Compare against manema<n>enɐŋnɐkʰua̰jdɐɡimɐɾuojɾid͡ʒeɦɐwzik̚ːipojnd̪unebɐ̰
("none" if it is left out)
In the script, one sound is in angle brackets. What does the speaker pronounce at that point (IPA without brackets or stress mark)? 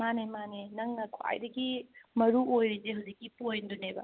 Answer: n